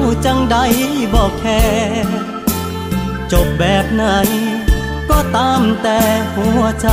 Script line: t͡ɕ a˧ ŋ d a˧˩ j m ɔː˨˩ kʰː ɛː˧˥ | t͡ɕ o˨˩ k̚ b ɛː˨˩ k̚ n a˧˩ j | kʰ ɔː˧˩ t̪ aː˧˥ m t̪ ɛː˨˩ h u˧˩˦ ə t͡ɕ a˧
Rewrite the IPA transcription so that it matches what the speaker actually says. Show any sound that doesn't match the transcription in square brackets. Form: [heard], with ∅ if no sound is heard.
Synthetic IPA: t͡ɕ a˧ ŋ d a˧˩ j [b] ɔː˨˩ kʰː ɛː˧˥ | t͡ɕ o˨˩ [p̚] b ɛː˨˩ [p̚] n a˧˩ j | [k] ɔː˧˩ t̪ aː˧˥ m t̪ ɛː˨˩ h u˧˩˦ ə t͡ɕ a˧